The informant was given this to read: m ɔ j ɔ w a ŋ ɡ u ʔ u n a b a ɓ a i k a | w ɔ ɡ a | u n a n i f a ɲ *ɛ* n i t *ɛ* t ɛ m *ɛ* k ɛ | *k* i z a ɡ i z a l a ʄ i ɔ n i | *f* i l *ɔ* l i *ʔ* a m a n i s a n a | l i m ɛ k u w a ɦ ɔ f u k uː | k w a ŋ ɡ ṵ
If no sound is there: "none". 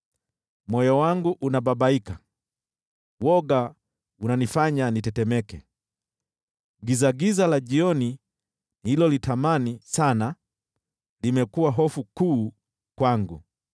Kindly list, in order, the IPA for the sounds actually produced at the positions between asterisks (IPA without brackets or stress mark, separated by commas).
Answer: a, ɛ, ɛ, ɡ, h, ɔ, t